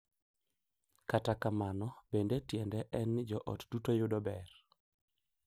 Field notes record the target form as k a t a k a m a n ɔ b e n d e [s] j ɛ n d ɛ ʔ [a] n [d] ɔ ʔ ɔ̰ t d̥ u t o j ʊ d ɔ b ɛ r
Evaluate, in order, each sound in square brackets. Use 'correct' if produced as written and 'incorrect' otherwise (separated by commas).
incorrect, incorrect, incorrect